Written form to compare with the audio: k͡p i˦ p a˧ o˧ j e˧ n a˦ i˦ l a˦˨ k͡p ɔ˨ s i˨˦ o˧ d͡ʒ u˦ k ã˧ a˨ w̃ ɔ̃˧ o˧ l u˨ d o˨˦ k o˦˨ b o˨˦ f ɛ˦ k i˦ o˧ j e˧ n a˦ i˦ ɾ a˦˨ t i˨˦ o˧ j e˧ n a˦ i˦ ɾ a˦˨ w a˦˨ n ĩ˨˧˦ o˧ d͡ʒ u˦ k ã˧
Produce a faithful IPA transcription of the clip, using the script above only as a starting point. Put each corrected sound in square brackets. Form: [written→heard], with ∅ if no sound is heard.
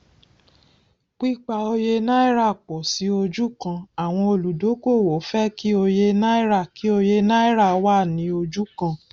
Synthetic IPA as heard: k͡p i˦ [p→k͡p] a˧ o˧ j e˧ n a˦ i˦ [l→ɾ] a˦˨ k͡p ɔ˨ s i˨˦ o˧ d͡ʒ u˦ k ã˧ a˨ w̃ ɔ̃˧ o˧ l u˨ d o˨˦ k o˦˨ [b→w] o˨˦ f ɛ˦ k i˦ o˧ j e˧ n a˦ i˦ ɾ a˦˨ [t→k] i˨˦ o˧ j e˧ n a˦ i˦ ɾ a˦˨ w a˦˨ n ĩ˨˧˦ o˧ d͡ʒ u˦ k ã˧